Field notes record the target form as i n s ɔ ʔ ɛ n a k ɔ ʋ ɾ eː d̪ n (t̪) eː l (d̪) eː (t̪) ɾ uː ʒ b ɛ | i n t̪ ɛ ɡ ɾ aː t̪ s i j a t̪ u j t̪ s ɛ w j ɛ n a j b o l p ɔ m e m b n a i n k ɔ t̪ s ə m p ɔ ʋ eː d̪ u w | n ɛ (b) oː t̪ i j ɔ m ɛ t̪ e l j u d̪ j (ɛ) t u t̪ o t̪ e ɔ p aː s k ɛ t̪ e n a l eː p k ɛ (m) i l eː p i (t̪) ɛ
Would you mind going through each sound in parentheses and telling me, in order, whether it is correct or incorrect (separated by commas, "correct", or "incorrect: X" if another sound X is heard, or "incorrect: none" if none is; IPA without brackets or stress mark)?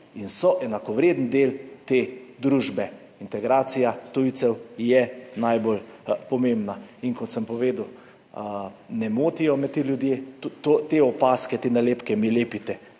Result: incorrect: d̪, incorrect: t̪, incorrect: d̪, incorrect: m, incorrect: e, correct, correct